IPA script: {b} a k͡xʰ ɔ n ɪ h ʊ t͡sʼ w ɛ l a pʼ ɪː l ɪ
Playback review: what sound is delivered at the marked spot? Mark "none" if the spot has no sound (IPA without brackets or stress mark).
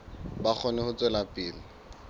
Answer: b